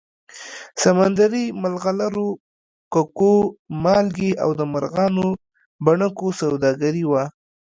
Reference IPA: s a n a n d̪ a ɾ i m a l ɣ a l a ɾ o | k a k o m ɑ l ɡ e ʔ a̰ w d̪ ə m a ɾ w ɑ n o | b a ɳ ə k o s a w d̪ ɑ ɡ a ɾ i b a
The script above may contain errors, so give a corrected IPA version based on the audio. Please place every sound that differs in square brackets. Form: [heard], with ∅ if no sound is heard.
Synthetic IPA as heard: s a [m] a n d̪ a ɾ i m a l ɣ a l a ɾ o | k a k o m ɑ l ɡ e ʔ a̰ w d̪ ə m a ɾ [ɣ] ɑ n o | b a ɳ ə k o s a w d̪ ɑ ɡ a ɾ i [w] a